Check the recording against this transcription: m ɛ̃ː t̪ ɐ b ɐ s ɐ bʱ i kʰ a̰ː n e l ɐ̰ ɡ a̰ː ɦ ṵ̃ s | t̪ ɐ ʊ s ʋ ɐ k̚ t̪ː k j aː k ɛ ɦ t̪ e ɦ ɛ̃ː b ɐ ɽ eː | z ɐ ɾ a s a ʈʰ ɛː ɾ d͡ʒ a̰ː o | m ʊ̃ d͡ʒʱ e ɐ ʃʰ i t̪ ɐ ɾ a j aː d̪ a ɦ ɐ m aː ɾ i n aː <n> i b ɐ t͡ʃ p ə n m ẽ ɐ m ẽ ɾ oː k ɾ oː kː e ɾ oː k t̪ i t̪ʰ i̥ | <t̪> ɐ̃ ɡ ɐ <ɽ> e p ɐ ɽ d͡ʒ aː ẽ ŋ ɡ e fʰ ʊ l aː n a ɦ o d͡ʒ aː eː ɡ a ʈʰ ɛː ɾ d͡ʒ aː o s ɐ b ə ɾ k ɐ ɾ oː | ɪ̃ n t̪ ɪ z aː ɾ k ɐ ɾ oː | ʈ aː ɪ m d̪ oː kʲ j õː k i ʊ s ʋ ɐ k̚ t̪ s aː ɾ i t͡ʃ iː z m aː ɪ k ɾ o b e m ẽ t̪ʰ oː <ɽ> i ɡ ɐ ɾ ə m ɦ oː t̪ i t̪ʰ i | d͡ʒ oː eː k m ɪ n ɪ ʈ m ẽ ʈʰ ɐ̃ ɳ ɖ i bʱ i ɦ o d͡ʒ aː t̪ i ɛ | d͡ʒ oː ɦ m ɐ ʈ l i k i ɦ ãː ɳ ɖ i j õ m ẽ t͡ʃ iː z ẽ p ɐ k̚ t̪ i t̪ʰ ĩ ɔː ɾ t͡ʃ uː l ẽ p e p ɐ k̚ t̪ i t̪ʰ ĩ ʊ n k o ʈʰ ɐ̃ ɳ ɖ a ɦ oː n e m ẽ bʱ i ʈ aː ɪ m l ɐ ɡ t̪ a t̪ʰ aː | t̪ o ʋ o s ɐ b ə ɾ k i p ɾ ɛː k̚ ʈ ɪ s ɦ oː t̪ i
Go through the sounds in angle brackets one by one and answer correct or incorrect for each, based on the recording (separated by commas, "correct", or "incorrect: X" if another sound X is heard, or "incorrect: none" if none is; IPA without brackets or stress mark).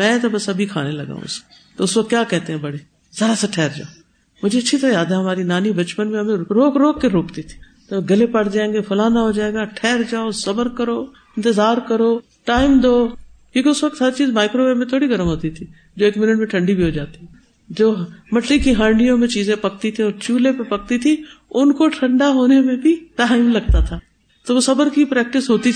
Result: correct, correct, incorrect: l, correct